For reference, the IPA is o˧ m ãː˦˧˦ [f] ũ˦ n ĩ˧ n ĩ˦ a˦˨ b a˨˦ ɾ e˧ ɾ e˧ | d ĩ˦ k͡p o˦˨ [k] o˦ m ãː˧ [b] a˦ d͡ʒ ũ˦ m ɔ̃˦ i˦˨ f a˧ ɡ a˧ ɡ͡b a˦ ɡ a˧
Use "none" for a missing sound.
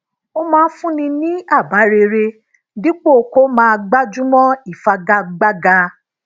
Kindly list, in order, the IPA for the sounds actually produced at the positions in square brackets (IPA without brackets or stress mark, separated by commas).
f, k, ɡ͡b